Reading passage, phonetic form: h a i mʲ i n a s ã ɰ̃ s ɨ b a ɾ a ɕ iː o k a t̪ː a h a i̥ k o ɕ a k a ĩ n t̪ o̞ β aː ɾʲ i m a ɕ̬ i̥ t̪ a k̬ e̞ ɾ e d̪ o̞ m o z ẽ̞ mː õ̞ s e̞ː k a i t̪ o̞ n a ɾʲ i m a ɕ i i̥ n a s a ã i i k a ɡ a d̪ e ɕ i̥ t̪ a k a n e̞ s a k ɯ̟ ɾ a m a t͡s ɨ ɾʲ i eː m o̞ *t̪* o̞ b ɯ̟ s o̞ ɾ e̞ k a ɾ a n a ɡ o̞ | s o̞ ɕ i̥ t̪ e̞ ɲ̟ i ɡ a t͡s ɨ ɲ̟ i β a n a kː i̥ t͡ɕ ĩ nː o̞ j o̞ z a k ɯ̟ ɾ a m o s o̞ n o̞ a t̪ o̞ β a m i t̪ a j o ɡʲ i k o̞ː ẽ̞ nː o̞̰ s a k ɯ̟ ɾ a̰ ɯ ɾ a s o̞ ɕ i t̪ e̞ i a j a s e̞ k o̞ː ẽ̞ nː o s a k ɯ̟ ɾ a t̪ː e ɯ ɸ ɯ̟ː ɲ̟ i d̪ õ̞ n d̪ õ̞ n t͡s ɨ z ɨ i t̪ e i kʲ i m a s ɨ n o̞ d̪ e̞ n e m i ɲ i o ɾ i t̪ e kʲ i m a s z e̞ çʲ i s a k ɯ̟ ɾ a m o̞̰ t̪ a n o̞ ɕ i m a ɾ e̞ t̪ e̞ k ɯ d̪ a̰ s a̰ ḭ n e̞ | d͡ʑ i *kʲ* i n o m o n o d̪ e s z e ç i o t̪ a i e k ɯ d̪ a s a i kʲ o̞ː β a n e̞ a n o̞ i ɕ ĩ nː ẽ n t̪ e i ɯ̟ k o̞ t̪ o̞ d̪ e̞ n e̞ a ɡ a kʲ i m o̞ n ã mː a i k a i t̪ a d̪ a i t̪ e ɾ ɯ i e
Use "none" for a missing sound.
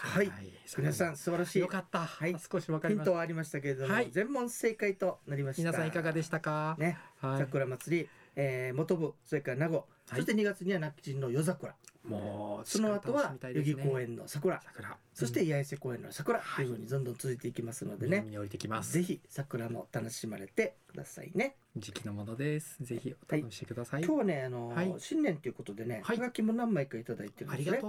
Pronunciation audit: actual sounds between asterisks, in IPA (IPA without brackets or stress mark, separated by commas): t̪, kʲ